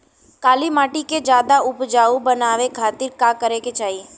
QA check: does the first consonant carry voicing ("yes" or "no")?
no